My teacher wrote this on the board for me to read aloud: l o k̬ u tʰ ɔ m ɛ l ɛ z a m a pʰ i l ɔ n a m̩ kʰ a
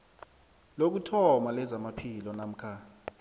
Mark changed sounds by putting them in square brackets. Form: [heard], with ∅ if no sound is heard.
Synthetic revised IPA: l o k̬ u tʰ ɔ m [a] l ɛ z a m a pʰ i l ɔ n a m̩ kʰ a